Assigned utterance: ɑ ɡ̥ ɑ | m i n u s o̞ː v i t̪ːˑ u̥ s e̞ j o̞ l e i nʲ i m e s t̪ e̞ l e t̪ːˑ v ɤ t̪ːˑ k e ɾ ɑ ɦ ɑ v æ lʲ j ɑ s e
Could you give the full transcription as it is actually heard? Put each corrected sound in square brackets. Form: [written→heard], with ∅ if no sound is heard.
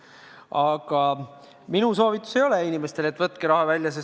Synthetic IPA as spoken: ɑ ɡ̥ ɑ | m i n u s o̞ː v i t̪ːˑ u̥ s e̞ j o̞ l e i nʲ i m e s t̪ e̞ l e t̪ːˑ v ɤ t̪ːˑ k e ɾ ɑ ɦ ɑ v æ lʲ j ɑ s e